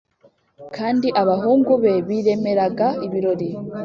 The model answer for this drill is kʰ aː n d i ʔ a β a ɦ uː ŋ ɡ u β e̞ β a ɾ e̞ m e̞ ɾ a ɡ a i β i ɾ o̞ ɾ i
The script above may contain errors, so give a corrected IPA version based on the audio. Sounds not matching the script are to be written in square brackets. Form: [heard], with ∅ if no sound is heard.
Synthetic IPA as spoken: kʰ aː n d i ʔ a β a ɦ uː ŋ ɡ u β e̞ β [i] ɾ e̞ m e̞ ɾ a ɡ a i β i ɾ o̞ ɾ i